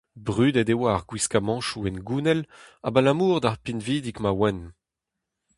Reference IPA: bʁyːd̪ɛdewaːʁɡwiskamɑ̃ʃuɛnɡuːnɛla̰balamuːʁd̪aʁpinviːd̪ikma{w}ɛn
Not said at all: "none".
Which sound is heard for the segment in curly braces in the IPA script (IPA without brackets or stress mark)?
w